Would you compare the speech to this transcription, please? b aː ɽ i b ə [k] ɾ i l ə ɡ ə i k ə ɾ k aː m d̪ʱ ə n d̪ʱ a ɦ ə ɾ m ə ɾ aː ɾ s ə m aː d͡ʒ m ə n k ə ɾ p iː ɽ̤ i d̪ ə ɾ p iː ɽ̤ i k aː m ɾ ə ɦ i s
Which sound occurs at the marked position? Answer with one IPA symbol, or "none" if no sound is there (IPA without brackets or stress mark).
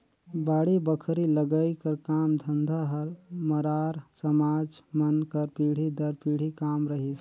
kʰ